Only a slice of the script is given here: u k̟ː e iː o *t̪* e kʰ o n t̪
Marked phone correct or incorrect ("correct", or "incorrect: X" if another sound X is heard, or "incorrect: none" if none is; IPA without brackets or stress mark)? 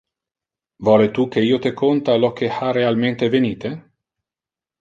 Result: correct